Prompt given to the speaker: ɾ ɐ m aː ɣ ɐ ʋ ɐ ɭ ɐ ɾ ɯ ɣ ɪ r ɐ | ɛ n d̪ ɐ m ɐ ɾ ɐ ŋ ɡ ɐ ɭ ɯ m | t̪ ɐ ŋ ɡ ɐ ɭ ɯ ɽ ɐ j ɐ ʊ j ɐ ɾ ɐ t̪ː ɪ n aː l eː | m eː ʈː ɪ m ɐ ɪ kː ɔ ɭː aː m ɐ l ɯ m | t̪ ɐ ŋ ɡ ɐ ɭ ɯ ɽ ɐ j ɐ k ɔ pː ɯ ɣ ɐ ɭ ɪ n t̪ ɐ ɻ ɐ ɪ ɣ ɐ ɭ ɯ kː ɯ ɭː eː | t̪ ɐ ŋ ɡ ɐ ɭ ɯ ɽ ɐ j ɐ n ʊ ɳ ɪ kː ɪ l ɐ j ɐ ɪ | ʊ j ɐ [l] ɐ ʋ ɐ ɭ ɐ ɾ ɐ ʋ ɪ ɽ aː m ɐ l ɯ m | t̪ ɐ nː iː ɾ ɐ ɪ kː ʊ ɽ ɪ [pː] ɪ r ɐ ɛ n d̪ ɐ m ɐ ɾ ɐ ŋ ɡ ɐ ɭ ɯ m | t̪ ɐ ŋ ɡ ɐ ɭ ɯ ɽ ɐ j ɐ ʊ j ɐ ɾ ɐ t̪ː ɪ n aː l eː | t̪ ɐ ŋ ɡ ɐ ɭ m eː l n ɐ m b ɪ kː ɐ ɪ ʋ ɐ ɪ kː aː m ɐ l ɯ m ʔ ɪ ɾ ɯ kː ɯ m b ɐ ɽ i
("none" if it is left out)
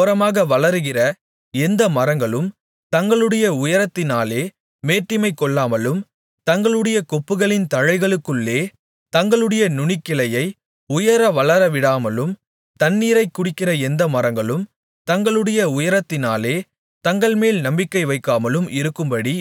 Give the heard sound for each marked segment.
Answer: ɾ, kː

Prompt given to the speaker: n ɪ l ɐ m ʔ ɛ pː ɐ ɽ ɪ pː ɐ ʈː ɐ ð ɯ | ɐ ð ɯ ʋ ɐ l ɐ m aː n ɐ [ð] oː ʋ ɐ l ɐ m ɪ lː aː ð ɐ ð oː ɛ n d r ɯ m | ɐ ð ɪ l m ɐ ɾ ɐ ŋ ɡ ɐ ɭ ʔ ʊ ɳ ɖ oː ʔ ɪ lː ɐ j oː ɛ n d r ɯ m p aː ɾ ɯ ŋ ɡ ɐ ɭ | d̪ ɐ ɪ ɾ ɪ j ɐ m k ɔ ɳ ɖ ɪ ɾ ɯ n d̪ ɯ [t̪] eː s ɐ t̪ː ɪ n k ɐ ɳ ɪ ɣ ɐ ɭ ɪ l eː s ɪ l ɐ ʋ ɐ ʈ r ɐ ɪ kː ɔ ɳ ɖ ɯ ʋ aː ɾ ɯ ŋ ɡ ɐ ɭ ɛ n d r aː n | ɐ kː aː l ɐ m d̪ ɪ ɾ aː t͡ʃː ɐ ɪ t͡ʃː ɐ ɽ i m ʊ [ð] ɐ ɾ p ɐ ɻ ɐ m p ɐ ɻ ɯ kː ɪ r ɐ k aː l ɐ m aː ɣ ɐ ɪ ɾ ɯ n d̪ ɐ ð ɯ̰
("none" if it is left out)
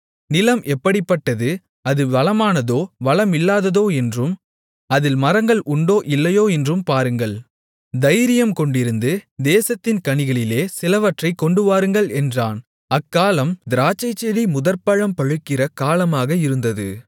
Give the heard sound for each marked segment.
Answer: ð, d̪, ð

